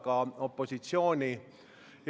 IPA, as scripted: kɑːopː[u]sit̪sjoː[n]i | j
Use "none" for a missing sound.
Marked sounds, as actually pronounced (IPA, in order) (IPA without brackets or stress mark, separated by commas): o, n